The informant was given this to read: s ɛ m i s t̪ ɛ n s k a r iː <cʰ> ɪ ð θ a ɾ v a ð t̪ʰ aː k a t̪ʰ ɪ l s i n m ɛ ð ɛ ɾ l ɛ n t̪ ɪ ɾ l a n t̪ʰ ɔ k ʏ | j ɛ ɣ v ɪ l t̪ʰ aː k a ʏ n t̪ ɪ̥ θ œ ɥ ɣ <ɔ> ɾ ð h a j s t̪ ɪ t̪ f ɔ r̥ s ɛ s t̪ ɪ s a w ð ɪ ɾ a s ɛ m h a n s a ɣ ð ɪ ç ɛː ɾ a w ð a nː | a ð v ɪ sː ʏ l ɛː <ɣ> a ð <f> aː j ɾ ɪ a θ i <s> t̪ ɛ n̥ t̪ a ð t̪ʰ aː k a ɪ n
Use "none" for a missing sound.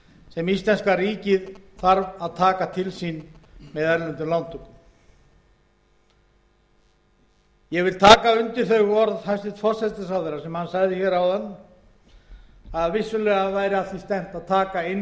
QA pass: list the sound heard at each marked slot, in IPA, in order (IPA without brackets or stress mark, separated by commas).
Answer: c, ɔ, ɣ, v, s